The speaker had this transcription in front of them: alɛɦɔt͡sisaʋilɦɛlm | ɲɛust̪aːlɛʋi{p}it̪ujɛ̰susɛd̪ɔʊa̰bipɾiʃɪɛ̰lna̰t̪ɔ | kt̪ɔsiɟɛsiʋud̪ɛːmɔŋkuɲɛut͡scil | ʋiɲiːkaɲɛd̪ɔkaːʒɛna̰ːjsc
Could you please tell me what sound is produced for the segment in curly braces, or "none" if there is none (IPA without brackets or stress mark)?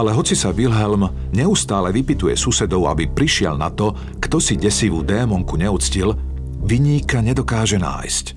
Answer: p